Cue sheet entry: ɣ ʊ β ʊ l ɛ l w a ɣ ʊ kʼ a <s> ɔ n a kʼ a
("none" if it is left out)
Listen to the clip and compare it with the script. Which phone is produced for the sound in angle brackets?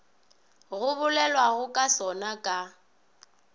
s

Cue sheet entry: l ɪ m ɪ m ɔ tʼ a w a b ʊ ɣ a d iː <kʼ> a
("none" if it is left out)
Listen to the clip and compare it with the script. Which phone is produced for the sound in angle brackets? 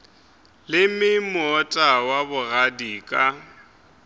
kʼ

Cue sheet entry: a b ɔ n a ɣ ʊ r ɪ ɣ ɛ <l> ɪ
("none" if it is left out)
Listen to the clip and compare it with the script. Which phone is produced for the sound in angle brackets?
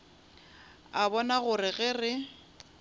r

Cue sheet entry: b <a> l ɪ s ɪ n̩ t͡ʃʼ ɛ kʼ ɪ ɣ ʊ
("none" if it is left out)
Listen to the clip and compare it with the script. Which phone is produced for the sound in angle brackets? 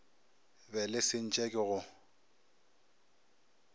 ɛ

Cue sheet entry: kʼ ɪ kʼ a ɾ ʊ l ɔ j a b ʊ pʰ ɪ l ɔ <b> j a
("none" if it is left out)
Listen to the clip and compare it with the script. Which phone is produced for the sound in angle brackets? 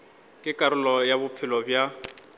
b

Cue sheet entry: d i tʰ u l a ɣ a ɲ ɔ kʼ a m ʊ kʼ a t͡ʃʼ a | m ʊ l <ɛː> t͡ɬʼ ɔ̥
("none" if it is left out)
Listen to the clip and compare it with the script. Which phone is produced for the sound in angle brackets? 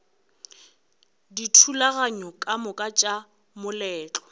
ɛː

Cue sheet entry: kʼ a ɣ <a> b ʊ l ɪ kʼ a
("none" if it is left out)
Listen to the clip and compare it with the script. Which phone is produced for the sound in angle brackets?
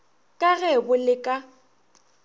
ɛ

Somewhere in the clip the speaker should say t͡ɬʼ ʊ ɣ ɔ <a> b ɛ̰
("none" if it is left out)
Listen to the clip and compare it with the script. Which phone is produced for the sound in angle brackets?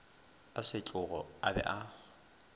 a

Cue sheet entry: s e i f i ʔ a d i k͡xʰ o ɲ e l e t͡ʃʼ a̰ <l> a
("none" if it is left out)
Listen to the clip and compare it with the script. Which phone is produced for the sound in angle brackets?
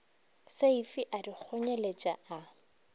none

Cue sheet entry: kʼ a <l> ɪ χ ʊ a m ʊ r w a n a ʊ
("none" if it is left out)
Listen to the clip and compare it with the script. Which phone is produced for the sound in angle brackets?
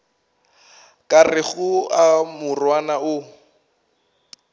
r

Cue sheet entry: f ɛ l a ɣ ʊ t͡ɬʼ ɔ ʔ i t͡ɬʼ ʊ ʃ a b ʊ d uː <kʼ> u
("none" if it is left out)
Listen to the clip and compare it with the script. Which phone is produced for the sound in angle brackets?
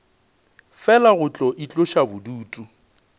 tʼ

